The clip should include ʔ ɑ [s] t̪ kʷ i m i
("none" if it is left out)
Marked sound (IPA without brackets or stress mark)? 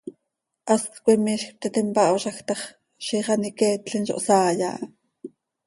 s